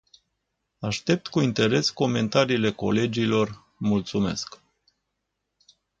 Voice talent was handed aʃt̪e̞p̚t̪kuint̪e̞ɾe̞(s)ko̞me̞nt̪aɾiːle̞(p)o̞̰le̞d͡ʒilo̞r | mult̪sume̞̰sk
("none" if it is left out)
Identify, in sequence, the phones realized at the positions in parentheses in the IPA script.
s, k

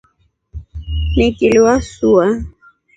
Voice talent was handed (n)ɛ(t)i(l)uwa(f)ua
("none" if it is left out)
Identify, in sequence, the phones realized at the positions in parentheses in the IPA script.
n, k, l, s

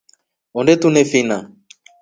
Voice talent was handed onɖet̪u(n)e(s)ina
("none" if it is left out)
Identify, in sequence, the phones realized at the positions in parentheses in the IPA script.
n, f

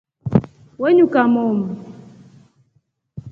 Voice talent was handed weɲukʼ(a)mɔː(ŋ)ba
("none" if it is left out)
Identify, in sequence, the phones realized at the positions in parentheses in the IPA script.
a, m

